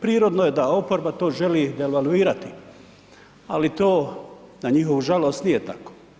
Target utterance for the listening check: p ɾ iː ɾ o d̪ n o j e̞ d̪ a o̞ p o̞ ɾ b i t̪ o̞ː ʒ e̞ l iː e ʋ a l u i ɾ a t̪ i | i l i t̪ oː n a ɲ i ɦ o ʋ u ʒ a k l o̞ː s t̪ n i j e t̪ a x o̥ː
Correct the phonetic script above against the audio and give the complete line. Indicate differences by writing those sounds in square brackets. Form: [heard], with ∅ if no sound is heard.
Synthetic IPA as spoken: p ɾ iː ɾ o d̪ n o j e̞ d̪ a o̞ p o̞ ɾ b [a] t̪ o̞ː ʒ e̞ l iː e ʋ a l u [iː] ɾ a t̪ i | [a] l i t̪ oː n a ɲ i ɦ o ʋ u ʒ a [∅] l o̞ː s t̪ n i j e t̪ a [k] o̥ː